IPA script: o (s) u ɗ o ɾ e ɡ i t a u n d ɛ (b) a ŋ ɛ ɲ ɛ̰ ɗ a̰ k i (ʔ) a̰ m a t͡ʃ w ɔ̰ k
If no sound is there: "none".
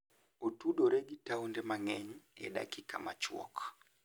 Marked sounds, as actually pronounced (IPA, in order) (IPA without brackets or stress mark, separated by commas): t, m, k